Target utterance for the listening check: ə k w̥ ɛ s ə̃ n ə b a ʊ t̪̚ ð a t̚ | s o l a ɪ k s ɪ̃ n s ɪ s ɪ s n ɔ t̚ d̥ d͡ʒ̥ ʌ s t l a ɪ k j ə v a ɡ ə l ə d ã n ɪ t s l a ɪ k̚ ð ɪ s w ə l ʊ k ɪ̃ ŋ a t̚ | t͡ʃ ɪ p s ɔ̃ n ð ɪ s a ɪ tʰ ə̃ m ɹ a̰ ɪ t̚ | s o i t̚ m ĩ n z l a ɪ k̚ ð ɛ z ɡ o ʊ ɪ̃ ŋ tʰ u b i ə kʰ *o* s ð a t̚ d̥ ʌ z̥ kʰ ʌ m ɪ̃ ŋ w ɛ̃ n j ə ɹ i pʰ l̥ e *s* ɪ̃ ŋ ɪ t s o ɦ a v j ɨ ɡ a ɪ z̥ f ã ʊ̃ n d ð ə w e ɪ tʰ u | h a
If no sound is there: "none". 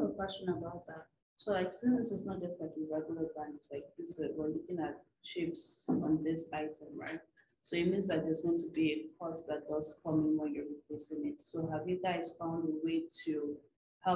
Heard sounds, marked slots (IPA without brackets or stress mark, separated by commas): ɔ, s